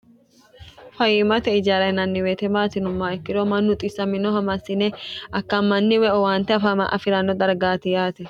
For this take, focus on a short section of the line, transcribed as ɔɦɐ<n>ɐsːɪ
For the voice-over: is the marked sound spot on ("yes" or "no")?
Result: no